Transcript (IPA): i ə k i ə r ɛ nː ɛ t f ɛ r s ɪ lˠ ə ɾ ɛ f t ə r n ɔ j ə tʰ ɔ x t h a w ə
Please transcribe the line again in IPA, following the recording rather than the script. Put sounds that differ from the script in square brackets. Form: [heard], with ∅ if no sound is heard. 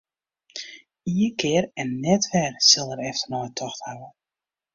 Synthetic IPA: i ə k [ɪ] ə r ɛ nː ɛ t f ɛ r s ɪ lˠ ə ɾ ɛ f t ə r n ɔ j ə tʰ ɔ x t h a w ə